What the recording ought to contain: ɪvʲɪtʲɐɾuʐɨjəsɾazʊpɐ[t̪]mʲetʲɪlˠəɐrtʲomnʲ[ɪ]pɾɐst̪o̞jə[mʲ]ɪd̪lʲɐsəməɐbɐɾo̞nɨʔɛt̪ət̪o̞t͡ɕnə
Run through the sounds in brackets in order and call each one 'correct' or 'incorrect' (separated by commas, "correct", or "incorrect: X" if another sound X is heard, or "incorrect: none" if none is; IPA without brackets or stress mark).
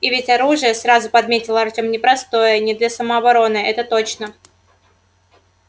incorrect: d̪, correct, incorrect: nʲ